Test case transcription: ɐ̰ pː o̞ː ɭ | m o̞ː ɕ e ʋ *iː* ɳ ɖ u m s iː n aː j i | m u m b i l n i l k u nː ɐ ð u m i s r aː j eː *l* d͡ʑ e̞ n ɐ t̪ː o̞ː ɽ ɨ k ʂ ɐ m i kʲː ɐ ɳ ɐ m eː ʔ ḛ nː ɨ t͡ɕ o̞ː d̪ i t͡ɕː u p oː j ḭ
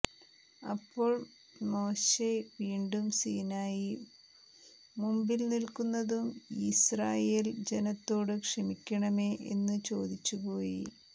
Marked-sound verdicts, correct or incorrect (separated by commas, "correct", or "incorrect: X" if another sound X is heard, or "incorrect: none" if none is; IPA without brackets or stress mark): correct, correct